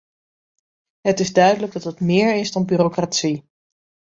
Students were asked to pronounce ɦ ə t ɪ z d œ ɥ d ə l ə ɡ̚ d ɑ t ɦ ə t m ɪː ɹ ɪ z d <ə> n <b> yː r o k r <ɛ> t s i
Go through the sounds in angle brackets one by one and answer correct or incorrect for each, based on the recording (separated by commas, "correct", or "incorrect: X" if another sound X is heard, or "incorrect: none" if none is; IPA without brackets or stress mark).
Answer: incorrect: ɑ, correct, incorrect: a